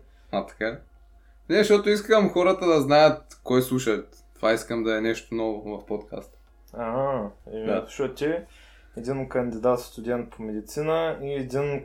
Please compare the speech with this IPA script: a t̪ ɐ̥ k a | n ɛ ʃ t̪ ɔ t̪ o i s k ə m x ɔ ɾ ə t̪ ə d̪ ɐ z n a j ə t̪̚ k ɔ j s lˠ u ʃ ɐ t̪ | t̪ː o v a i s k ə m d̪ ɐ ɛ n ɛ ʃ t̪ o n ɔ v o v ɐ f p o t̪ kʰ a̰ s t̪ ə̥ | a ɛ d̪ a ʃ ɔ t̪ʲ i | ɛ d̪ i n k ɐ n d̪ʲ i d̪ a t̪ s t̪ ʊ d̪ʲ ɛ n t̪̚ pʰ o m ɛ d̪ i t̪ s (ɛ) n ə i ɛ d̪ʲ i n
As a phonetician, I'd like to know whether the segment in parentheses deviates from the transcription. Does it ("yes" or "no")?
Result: yes